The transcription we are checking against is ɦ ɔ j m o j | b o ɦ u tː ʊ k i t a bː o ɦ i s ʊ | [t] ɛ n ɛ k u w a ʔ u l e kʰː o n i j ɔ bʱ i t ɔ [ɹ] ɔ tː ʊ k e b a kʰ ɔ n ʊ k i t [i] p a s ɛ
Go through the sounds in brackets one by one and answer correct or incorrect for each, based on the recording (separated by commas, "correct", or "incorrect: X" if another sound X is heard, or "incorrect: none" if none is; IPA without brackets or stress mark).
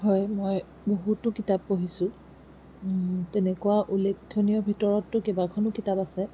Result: correct, correct, incorrect: a